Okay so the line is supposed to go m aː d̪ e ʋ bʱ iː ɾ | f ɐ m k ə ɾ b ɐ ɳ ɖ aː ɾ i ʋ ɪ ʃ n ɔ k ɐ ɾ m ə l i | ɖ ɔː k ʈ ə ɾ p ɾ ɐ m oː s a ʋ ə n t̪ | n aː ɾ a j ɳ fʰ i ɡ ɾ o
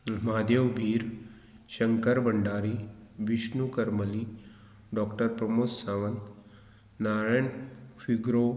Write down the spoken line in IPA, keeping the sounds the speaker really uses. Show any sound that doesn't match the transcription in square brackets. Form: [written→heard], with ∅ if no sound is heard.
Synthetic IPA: m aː d̪ e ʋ bʱ iː ɾ | [f→ʃ] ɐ [m→ŋ] k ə ɾ b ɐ ɳ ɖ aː ɾ i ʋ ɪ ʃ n [ɔ→u] k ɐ ɾ m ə l i | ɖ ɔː k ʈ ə ɾ p ɾ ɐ m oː s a ʋ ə n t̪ | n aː ɾ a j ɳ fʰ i ɡ ɾ o